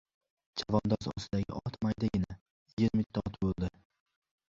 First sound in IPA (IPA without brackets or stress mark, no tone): d͡ʒ